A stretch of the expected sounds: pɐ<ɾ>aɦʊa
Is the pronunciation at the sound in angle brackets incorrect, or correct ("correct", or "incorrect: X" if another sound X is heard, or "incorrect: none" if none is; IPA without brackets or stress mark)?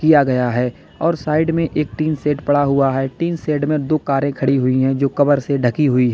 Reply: incorrect: ɽ